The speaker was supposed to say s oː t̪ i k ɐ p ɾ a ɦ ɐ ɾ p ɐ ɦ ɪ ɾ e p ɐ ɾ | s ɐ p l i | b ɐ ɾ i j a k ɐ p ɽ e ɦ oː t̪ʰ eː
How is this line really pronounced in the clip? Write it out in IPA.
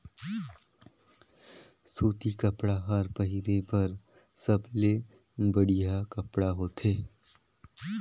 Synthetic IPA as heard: s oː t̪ i k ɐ p ɽ a ɦ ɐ ɾ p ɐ ɦ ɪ ɾ e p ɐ ɾ | s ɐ b l e | b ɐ ɽ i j a k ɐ p ɽ a ɦ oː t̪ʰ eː